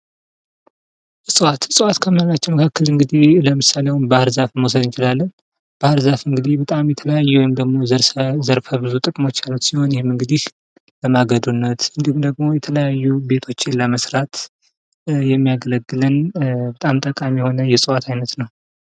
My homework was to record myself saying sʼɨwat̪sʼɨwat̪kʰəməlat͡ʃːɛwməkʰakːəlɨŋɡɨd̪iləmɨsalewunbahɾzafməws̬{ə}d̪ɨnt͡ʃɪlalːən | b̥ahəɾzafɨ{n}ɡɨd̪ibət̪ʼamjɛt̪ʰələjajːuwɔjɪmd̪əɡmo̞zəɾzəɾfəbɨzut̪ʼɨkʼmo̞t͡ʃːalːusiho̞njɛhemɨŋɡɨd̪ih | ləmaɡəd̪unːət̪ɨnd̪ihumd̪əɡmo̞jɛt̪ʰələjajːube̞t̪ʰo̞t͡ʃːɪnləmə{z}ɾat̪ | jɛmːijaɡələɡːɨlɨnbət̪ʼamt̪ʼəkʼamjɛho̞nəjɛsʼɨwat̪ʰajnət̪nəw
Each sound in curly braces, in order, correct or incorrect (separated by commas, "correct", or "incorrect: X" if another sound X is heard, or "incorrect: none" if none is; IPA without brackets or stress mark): correct, incorrect: ŋ, incorrect: s